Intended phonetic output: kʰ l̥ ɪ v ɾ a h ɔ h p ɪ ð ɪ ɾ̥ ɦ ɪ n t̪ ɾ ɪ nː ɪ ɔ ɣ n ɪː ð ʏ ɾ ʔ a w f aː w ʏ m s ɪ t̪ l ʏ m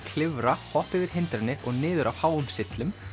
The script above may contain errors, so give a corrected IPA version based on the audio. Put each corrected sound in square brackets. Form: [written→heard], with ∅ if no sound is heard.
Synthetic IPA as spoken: kʰ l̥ ɪ v ɾ a h ɔ h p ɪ [ð→v] ɪ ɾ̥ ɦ ɪ n t̪ ɾ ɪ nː ɪ ɔ ɣ n ɪː ð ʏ ɾ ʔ a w [f→h] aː w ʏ m s ɪ t̪ l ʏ m